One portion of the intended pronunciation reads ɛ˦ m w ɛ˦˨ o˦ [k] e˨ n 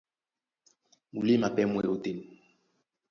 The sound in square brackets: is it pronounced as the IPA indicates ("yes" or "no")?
no